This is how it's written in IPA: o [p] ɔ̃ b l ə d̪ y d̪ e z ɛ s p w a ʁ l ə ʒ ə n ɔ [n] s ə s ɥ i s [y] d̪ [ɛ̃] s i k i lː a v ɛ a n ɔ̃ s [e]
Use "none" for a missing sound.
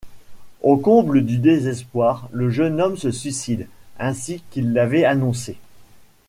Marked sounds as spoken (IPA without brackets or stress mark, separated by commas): k, m, i, ɛ̃, e